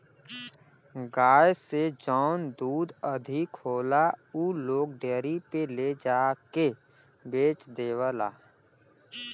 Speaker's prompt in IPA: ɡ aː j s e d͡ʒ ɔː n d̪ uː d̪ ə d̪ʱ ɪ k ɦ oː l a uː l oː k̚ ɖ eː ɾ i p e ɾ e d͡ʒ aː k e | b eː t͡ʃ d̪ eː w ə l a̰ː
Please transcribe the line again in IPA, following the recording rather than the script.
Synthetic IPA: ɡ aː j s e d͡ʒ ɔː n d̪ uː d̪ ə d̪ʱ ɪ k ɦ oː l a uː l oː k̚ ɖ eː ɾ i p e l e d͡ʒ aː k e | b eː t͡ʃ d̪ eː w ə l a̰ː